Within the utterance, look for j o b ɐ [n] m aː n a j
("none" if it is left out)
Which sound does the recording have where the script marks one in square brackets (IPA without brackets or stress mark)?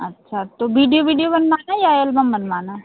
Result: n